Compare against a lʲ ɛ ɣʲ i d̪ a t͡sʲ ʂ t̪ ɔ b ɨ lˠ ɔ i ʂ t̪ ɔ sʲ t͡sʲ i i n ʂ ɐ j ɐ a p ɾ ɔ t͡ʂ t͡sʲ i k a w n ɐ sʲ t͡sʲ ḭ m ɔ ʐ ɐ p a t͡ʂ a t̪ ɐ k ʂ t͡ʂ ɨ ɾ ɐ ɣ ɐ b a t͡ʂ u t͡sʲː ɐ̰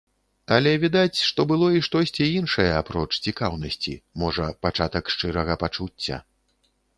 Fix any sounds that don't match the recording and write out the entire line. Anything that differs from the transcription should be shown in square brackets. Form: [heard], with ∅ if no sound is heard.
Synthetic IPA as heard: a lʲ ɛ [vʲ] i d̪ a t͡sʲ ʂ t̪ ɔ b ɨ lˠ ɔ i ʂ t̪ ɔ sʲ t͡sʲ i i n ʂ ɐ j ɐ a p ɾ ɔ t͡ʂ t͡sʲ i k a w n ɐ sʲ t͡sʲ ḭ m ɔ ʐ ɐ p a t͡ʂ a t̪ ɐ k ʂ t͡ʂ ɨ ɾ ɐ ɣ ɐ [p] a t͡ʂ u t͡sʲː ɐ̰